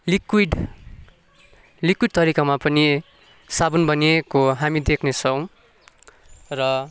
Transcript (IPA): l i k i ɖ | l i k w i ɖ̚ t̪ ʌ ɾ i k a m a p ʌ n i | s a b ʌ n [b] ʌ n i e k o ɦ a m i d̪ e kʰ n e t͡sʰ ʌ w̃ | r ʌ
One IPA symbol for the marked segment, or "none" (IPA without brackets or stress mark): b